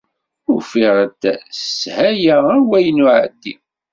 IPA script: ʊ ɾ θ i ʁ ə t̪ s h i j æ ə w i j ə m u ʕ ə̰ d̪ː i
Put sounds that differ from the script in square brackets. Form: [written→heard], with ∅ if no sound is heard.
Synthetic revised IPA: ʊ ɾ [θ→f] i ʁ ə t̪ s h [i→æ] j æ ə w [i→æ] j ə [m→n] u ʕ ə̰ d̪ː i

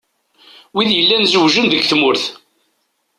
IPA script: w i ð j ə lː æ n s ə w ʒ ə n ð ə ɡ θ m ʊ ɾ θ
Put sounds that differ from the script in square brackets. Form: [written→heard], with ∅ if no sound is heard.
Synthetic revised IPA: w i ð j ə lː æ n [s→z] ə w ʒ ə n ð ə ɡ θ m ʊ ɾ θ

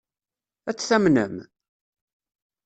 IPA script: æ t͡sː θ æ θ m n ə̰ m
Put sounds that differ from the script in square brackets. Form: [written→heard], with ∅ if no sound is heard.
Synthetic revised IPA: æ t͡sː θ æ [θ→∅] m n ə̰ m

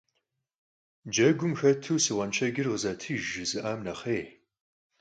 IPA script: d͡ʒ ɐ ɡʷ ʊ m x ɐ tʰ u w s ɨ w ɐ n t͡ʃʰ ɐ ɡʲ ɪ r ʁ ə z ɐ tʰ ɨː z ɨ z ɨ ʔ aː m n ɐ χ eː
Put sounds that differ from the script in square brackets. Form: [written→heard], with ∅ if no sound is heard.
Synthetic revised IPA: d͡ʒ ɐ ɡʷ ʊ m x ɐ tʰ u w s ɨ w ɐ n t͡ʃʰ ɐ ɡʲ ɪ r ʁ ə z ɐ tʰ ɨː [z→ʒ] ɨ z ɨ ʔ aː m n ɐ χ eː

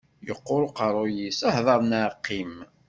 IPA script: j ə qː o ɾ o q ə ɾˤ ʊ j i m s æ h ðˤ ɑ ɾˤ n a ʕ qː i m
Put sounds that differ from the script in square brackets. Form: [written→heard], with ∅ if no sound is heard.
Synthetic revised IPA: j ə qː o ɾ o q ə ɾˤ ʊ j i [m→∅] s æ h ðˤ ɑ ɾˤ n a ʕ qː i m

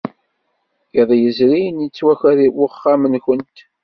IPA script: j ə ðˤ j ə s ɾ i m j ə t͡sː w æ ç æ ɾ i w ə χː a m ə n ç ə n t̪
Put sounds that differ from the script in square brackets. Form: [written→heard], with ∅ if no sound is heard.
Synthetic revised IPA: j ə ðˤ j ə [s→z] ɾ i [m→n] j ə t͡sː w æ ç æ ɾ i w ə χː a m ə n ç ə n t̪

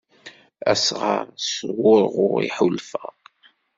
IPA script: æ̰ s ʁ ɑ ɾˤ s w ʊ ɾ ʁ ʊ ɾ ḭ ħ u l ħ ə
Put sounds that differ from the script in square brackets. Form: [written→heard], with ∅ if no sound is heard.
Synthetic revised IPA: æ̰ s ʁ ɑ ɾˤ s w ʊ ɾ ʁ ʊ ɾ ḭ ħ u l [ħ→f] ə

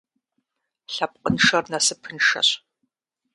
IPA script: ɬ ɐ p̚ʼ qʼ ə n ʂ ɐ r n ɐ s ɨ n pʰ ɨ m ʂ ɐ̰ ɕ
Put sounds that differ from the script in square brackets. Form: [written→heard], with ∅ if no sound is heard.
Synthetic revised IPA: ɬ ɐ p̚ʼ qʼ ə n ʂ ɐ r n ɐ s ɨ [n→∅] pʰ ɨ [m→n] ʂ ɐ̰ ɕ

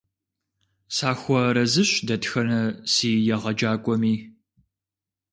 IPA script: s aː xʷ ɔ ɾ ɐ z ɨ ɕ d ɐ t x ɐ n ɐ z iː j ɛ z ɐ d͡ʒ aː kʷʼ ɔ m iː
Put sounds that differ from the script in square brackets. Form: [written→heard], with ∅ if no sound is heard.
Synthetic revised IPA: s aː xʷ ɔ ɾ ɐ z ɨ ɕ d ɐ t x ɐ n ɐ [z→s] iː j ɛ [z→ʁ] ɐ d͡ʒ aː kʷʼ ɔ m iː

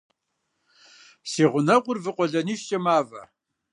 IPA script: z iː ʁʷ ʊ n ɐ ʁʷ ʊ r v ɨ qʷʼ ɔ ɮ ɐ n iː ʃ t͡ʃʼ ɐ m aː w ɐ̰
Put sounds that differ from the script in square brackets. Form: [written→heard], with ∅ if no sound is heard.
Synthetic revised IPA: [z→s] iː ʁʷ ʊ n ɐ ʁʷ ʊ r v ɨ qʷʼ ɔ ɮ ɐ n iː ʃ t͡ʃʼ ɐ m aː [w→v] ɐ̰

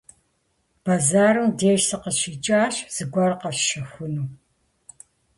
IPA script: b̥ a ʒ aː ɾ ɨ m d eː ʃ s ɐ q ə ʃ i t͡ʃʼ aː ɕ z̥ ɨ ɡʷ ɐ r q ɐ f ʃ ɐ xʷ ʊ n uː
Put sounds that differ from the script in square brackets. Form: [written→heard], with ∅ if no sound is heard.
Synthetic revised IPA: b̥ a [ʒ→z] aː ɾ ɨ m d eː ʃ s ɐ q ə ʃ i t͡ʃʼ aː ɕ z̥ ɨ ɡʷ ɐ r q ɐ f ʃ ɐ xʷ ʊ n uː

